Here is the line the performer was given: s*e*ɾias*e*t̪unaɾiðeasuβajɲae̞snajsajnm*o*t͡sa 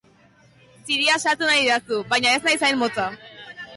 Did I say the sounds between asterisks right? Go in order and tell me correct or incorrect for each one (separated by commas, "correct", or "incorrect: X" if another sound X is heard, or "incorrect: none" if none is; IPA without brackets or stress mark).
incorrect: i, incorrect: a, correct